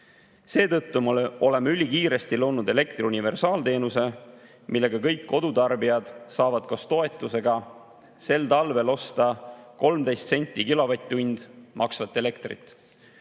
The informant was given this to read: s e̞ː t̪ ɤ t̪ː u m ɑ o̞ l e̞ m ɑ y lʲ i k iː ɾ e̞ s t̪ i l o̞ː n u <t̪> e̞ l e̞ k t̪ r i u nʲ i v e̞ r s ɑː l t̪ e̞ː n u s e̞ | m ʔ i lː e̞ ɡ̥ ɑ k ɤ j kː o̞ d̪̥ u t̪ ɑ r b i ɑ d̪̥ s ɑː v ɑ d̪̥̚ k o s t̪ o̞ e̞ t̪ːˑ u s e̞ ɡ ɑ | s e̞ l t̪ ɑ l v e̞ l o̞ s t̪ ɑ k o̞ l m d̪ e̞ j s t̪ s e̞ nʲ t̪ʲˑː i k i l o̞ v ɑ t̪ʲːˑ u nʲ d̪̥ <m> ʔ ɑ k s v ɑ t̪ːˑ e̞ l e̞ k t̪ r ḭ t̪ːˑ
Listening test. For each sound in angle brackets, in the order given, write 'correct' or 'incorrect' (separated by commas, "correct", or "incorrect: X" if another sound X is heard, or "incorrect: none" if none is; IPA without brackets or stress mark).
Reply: incorrect: d̪, correct